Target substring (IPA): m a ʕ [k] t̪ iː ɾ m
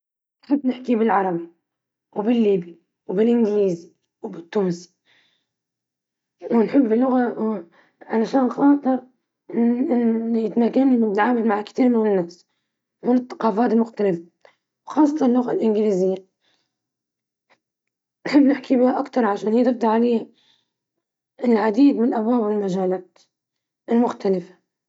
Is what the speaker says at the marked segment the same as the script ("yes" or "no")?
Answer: yes